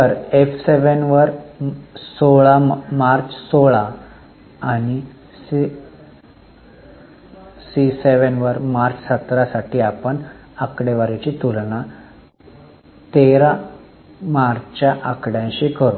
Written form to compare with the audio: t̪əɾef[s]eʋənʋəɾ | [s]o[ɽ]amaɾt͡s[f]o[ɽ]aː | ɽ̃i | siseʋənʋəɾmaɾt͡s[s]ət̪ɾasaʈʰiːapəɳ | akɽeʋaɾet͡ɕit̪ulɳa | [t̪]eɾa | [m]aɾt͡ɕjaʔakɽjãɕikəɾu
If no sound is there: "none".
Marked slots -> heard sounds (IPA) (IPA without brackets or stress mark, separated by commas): s, s, ɭ, s, ɭ, s, t̪, m